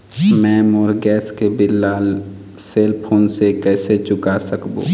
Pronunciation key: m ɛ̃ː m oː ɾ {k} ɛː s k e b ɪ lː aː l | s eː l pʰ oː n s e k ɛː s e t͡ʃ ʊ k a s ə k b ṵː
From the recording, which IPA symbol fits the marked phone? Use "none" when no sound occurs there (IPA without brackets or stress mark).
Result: ɡ